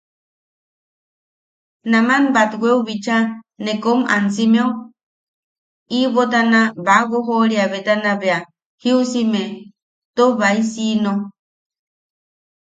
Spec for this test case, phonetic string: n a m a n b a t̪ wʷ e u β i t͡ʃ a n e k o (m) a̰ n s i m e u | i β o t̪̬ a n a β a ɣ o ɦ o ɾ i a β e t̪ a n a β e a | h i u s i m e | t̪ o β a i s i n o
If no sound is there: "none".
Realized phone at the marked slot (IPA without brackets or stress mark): m